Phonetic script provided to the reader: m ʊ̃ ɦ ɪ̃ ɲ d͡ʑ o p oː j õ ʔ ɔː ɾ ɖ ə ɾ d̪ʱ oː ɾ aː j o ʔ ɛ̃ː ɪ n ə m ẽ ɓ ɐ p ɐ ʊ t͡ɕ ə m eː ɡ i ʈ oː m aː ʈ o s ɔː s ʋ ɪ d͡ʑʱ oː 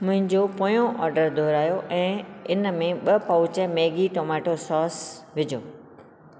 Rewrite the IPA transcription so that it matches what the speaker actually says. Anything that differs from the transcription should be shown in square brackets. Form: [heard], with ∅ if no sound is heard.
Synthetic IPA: m ʊ̃ ɦ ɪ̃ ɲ d͡ʑ o p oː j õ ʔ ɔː ɾ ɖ ə ɾ d̪ʱ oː ɾ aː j o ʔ ɛ̃ː ɪ n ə m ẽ ɓ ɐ p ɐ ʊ t͡ɕ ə m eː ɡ i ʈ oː m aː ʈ o s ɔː s ʋ ɪ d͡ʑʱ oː